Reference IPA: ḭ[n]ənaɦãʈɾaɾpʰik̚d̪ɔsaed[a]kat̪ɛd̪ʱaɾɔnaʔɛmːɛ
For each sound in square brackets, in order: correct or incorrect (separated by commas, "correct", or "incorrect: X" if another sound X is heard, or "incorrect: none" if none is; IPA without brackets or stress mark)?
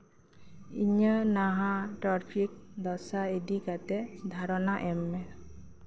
incorrect: ɲ, incorrect: i